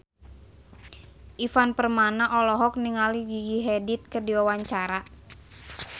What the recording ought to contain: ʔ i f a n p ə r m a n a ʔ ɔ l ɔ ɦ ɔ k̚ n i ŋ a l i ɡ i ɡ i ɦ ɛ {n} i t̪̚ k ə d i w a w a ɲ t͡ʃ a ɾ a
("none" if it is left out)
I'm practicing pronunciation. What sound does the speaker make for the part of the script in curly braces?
d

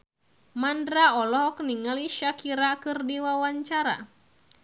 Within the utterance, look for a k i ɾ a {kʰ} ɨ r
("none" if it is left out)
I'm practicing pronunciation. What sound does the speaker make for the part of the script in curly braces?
k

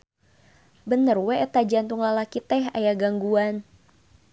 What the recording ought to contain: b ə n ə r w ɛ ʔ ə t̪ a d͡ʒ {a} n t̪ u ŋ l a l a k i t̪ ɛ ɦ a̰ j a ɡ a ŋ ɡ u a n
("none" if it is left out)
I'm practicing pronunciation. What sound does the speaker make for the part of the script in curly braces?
a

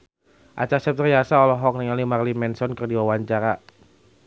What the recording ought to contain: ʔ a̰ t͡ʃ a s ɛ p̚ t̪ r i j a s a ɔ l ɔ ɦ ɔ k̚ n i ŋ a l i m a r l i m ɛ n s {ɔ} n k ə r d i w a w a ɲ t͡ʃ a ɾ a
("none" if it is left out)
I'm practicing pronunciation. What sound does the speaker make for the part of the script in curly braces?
ɔ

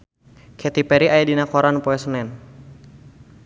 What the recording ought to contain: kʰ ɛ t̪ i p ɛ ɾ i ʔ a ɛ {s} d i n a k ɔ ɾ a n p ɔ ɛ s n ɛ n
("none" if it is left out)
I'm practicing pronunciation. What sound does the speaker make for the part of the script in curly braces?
none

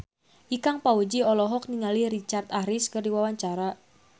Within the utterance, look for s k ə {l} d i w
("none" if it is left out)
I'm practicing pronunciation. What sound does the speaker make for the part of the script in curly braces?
r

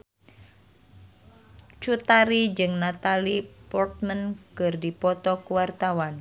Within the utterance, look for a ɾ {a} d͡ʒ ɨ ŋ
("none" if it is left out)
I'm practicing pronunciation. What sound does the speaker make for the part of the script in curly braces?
i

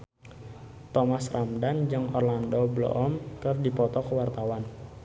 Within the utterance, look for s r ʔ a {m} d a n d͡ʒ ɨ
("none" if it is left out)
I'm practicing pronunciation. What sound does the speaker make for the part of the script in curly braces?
m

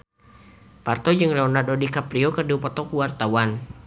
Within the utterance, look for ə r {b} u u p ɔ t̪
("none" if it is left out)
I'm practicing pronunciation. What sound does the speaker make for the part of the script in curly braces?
d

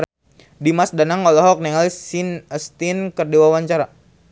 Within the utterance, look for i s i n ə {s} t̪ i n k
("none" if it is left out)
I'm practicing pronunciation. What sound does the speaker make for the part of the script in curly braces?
s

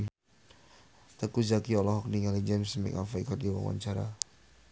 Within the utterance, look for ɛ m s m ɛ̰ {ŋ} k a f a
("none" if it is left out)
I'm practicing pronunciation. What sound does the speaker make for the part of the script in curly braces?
none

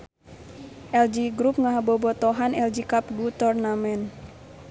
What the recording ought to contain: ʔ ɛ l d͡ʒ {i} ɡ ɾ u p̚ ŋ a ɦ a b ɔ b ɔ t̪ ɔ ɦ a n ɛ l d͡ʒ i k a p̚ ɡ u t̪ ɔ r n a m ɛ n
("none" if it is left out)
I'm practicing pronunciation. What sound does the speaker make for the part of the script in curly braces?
i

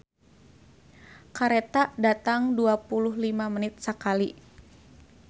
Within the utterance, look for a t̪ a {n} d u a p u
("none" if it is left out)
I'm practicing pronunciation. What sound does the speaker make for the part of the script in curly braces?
ŋ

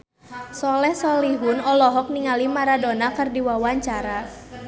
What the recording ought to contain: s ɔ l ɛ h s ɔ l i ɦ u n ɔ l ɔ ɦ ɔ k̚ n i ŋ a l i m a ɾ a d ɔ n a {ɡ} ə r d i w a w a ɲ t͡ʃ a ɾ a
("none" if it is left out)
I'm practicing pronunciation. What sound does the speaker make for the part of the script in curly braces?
k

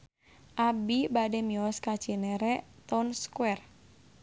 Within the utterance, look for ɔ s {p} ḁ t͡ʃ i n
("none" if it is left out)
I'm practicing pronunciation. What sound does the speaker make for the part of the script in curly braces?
k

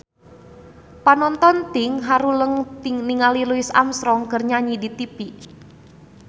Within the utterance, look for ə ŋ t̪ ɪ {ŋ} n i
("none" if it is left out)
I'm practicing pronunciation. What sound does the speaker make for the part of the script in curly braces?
ŋ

